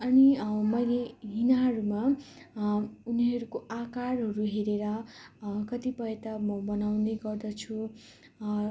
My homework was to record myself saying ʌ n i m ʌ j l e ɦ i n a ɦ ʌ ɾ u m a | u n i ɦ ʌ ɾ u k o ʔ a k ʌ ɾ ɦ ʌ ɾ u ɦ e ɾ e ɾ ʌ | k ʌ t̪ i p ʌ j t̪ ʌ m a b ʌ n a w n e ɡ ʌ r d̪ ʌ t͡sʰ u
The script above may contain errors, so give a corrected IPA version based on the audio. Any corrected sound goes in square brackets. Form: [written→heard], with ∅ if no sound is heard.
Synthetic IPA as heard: ʌ n i m ʌ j l e ɦ i n a ɦ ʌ ɾ u m a | u n i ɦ ʌ ɾ u k o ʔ a k [ʌ→a] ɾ ɦ ʌ ɾ u ɦ e ɾ e ɾ ʌ | k ʌ t̪ i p ʌ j t̪ ʌ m [a→ʌ] b ʌ n a w n e ɡ ʌ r d̪ ʌ t͡sʰ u

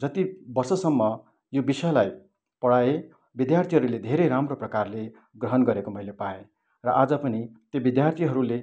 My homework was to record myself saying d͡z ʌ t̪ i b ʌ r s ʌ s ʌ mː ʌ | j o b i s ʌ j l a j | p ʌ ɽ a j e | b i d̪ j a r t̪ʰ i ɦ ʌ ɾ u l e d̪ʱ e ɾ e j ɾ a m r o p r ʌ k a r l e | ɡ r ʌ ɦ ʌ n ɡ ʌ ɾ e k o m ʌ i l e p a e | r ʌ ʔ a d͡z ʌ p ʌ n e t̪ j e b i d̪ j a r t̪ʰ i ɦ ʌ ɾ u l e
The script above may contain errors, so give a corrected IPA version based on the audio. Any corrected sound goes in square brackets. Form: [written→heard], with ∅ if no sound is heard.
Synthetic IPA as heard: d͡z ʌ t̪ i b ʌ r s ʌ s ʌ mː ʌ | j o b i s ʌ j l a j | p ʌ ɽ a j e | b i d̪ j a r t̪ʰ i ɦ ʌ ɾ u l e d̪ʱ e ɾ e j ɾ a m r o p r ʌ k a r l e | ɡ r ʌ ɦ ʌ n ɡ ʌ ɾ e k o m ʌ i l e p a e | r ʌ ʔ a d͡z ʌ p ʌ n [e→i] t̪ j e b i d̪ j a r t̪ʰ i ɦ ʌ ɾ u l e

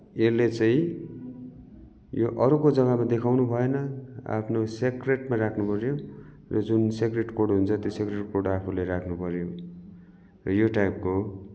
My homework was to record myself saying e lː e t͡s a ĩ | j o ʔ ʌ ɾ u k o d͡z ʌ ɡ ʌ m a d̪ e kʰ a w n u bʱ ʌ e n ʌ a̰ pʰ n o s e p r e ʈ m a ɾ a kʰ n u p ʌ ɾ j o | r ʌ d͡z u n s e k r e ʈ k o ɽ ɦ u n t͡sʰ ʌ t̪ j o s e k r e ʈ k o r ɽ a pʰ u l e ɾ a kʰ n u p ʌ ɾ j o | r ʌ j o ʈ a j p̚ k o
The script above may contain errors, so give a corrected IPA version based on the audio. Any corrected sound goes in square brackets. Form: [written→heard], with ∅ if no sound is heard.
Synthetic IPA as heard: e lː e t͡s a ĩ | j o ʔ ʌ ɾ u k o d͡z ʌ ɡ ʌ m a d̪ e kʰ a w n u bʱ ʌ e n ʌ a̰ pʰ n o s e [p→k] r e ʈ m a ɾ a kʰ n u p ʌ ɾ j o | r ʌ d͡z u n s e k r e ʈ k o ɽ ɦ u n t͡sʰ ʌ t̪ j o s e k r e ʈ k o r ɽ a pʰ u l e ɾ a kʰ n u p ʌ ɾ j o | r ʌ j o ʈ a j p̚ k o

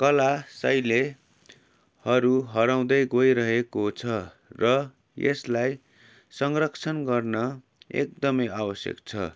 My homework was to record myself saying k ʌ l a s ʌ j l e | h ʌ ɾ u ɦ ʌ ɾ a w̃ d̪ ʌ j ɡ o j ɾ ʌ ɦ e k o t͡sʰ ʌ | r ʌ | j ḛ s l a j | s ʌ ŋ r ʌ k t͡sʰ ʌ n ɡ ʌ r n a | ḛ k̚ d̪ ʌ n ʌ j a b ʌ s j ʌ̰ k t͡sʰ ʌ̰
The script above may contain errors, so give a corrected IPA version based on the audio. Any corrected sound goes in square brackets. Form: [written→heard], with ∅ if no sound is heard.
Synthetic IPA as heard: k ʌ l a s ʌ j l e | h ʌ ɾ u ɦ ʌ ɾ a w̃ d̪ ʌ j ɡ o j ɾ ʌ ɦ e k o t͡sʰ ʌ | r ʌ | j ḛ s l a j | s ʌ ŋ r ʌ k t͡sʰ ʌ n ɡ ʌ r n [a→ʌ] | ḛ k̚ d̪ ʌ [n→m] ʌ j a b ʌ s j ʌ̰ k t͡sʰ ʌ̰

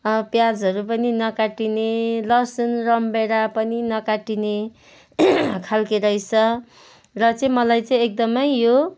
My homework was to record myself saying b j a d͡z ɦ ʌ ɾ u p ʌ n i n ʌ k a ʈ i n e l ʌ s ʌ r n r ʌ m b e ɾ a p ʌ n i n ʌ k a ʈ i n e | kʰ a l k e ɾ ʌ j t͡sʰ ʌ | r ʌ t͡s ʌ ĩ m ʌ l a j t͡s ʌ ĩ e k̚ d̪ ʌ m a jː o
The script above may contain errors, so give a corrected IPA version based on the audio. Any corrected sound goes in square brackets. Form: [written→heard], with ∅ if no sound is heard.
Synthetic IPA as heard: [b→p] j a d͡z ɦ ʌ ɾ u p ʌ n i n ʌ k a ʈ i n e l ʌ s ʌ [r→∅] n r ʌ m b e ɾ a p ʌ n i n ʌ k a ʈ i n e | kʰ a l k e ɾ ʌ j t͡sʰ ʌ | r ʌ t͡s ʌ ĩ m ʌ l a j t͡s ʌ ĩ e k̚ d̪ ʌ m [a→ʌ] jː o

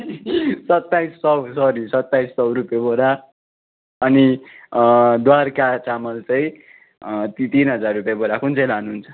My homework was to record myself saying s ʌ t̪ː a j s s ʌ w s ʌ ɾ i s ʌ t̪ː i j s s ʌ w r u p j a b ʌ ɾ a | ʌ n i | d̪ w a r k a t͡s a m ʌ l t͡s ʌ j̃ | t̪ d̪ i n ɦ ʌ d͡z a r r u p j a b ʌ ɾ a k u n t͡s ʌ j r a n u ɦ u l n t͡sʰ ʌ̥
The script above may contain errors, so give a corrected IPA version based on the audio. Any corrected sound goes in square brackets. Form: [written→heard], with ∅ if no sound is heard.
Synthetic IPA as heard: s ʌ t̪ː a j s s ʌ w s ʌ ɾ i s ʌ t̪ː [i→a] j s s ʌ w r u p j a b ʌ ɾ a | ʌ n i | d̪ w a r k a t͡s a m ʌ l t͡s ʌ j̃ | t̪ [d̪→t̪] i n ɦ ʌ d͡z a r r u p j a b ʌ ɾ a k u n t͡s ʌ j [r→l] a n u ɦ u [l→∅] n t͡sʰ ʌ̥

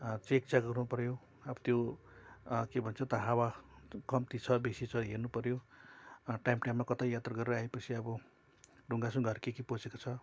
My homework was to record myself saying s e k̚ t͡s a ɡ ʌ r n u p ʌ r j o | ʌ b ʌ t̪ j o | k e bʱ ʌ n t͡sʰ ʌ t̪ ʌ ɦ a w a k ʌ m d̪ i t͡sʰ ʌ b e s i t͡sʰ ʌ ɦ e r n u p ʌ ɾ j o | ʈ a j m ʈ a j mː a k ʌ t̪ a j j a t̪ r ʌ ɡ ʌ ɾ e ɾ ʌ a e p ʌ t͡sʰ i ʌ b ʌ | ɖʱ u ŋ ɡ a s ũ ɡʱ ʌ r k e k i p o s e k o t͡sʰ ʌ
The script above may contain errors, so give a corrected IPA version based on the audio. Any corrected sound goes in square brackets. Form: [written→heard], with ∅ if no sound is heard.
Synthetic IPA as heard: [s→t͡s] e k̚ t͡s a ɡ ʌ r n u p ʌ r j o | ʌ b ʌ t̪ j o | k e bʱ ʌ n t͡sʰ ʌ t̪ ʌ ɦ a w a k ʌ m [d̪→t̪] i t͡sʰ ʌ b e s i t͡sʰ ʌ ɦ e r n u p ʌ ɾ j o | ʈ a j m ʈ a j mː a k ʌ t̪ a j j a t̪ r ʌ ɡ ʌ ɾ e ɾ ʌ a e p ʌ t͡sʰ i ʌ b ʌ | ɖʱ u ŋ ɡ a s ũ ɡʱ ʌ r k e k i p o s e k o t͡sʰ ʌ

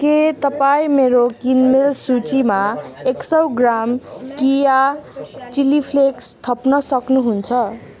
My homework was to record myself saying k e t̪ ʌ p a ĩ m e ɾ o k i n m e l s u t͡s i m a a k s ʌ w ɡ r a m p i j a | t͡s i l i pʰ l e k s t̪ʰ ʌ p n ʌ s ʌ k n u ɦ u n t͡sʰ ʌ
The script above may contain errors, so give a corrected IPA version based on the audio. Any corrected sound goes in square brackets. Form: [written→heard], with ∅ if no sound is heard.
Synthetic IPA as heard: k e t̪ ʌ p a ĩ m e ɾ o k i n m e l s u t͡s i m a [a→e] k s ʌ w ɡ r a m [p→k] i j a | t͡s i l i pʰ l e k s t̪ʰ ʌ p n ʌ s ʌ k n u ɦ u n t͡sʰ ʌ

